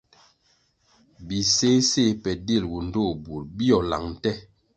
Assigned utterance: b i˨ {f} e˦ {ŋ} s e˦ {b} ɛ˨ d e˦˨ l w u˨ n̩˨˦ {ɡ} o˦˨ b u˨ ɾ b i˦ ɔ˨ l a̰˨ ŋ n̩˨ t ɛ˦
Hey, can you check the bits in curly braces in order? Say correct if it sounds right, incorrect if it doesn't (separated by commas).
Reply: incorrect, incorrect, incorrect, incorrect